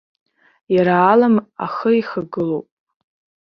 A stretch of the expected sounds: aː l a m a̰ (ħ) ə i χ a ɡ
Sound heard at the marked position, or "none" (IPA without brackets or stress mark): χ